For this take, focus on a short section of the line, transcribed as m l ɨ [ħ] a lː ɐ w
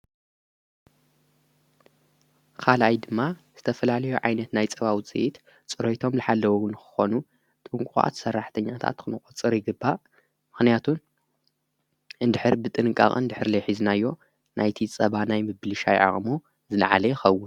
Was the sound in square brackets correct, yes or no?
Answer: yes